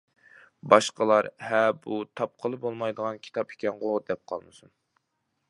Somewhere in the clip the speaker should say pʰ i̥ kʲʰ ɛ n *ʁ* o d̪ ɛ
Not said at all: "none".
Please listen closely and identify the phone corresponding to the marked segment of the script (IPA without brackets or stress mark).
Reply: ʁ